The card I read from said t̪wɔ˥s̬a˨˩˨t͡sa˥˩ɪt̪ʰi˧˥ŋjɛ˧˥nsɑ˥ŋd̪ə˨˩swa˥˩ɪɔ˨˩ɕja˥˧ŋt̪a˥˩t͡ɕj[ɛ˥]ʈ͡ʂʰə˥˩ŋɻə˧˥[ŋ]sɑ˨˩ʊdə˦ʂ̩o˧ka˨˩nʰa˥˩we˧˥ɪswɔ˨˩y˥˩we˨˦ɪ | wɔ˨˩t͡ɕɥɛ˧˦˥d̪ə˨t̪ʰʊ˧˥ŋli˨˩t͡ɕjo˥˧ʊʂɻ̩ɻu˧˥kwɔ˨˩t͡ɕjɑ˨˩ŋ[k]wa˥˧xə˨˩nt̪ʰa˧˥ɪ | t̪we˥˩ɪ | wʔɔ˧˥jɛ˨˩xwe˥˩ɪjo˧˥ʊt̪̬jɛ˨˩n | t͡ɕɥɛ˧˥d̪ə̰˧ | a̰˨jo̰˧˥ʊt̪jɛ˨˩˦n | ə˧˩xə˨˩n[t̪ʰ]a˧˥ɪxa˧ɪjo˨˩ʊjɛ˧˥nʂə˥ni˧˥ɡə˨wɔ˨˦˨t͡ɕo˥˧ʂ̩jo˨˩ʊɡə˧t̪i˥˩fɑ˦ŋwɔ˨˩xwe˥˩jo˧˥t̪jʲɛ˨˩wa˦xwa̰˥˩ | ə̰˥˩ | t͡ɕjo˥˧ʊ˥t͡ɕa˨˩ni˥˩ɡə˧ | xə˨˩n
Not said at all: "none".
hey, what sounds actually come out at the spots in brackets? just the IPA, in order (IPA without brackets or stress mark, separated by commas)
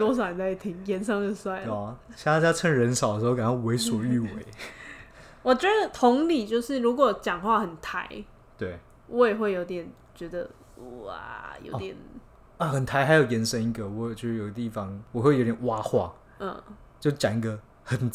a˥, n, x, t̪ʰ